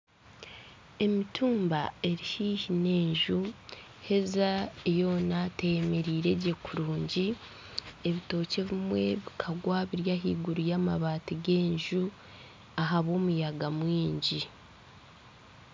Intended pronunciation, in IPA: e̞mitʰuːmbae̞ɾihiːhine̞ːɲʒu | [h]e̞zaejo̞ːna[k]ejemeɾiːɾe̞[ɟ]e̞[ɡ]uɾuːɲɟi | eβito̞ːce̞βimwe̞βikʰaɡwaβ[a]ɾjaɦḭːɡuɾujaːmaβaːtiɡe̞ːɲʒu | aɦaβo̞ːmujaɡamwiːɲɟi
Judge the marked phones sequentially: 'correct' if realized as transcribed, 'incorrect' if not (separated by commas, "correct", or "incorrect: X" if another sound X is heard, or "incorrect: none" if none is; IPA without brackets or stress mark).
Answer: correct, incorrect: t, correct, incorrect: k, incorrect: i